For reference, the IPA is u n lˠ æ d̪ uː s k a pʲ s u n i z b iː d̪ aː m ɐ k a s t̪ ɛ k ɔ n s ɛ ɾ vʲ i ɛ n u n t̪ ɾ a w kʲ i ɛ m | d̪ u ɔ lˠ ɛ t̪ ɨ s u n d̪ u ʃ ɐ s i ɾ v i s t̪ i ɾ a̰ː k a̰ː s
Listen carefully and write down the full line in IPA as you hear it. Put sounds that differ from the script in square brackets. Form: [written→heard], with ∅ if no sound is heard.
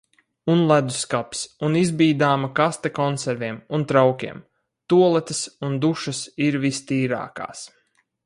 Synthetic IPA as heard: u n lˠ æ d̪ [uː→u] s k a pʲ s u n i z b iː d̪ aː m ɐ k a s t̪ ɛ k ɔ n s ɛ ɾ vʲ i ɛ [n→m] u n t̪ ɾ a w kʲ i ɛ m | [d̪→t̪] u ɔ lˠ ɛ t̪ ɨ s u n d̪ u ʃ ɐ s i ɾ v i s t̪ [i→iː] ɾ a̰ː k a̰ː s